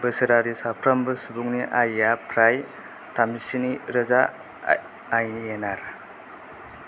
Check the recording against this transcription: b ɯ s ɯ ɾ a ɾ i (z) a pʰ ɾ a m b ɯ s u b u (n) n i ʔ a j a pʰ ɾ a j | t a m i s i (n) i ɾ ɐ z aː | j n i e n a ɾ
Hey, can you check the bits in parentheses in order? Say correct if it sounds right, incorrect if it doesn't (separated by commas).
incorrect, incorrect, correct